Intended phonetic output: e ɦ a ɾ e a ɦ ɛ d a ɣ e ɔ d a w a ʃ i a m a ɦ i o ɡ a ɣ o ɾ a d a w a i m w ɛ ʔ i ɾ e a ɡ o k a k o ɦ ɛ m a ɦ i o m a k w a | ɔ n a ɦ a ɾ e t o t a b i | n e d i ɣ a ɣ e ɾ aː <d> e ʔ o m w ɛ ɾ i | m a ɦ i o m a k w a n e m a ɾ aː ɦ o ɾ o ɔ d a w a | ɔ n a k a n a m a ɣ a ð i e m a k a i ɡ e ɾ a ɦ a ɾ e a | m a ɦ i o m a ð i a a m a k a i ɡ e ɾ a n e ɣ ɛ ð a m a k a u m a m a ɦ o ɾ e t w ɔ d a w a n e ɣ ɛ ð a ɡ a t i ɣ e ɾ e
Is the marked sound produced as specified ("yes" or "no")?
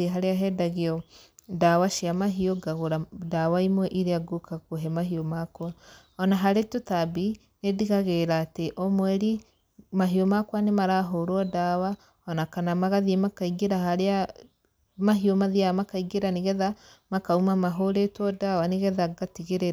no